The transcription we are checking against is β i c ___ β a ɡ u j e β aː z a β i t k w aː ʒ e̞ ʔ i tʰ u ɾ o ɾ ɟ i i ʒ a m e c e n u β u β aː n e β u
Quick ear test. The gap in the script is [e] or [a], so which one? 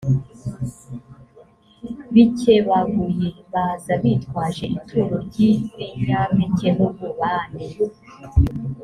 e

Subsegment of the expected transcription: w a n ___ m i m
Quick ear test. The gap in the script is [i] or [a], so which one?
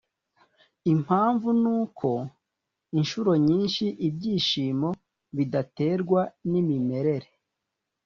i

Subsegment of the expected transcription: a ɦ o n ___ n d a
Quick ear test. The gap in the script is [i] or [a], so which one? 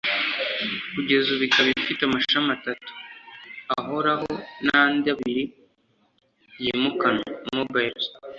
a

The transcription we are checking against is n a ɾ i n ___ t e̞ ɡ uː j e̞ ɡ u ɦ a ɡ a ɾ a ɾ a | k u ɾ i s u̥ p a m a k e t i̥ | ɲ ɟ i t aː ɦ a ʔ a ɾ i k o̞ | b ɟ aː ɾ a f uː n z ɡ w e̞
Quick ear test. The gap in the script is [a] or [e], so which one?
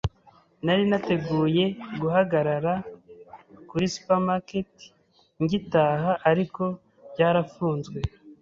a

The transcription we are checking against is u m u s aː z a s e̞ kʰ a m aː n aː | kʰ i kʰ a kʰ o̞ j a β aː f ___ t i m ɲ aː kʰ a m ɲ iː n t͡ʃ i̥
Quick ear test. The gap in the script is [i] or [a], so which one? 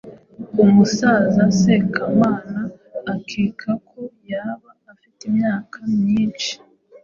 i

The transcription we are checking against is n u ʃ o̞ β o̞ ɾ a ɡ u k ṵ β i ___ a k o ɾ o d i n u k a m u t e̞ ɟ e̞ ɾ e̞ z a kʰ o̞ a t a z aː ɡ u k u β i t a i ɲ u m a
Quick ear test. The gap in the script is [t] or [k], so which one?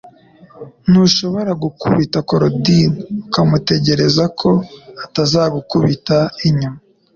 t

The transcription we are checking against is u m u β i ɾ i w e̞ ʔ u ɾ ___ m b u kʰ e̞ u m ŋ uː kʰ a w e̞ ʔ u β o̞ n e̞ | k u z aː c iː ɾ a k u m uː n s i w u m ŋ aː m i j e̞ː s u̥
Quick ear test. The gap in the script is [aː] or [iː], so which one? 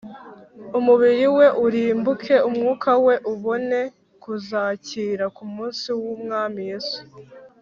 iː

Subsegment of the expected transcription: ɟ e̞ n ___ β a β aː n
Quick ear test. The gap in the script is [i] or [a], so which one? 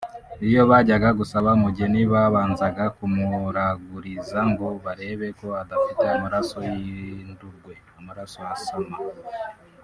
i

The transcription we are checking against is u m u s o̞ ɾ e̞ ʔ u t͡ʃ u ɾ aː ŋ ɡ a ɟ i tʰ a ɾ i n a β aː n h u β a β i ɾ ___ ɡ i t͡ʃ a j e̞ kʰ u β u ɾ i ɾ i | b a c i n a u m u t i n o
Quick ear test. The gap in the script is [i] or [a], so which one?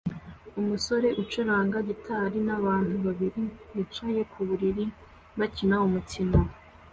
i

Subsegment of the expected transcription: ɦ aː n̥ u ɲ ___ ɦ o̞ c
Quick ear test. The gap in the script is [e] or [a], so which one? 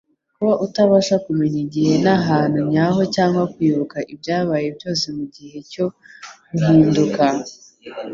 a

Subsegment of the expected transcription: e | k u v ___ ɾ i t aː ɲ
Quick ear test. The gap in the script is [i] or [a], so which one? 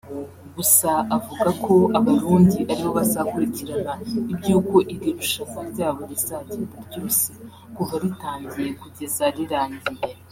a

